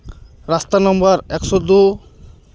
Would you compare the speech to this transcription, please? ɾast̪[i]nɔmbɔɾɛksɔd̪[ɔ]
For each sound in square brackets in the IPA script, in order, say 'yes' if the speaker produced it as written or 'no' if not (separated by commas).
no, no